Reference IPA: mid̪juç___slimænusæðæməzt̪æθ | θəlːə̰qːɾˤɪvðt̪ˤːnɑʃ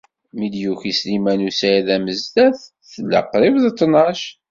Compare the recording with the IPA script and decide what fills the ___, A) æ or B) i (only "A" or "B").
B